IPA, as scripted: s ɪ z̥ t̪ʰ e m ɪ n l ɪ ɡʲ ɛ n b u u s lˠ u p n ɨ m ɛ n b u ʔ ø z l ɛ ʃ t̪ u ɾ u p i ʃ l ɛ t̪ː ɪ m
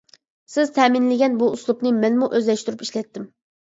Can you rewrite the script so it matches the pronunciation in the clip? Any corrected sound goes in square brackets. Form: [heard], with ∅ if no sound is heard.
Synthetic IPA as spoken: s ɪ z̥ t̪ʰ [ɛ] m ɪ n l ɪ ɡʲ ɛ n b u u s lˠ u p n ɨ m ɛ n [m] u ʔ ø z l ɛ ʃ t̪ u ɾ u p i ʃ l ɛ t̪ː ɪ m